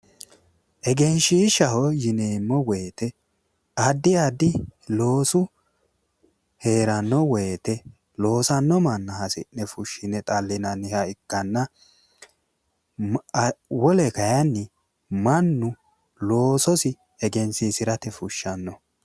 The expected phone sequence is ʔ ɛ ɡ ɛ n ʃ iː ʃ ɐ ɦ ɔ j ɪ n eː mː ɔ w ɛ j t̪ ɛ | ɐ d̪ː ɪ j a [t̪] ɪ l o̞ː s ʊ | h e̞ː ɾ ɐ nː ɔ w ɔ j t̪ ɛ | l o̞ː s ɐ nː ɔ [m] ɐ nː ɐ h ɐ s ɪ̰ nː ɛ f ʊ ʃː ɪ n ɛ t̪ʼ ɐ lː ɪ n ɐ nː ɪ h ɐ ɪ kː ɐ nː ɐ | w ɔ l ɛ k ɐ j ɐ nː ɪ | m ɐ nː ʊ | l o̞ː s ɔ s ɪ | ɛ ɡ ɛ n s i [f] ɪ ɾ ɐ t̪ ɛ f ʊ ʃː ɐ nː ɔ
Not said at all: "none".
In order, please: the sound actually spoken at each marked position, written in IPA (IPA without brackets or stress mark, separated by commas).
d̪, m, s